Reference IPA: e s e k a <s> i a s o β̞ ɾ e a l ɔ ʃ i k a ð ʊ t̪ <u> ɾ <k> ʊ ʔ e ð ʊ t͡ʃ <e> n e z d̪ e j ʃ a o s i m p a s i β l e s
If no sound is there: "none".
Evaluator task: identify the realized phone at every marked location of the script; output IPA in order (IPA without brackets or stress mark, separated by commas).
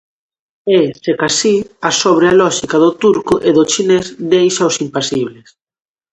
s, u, k, i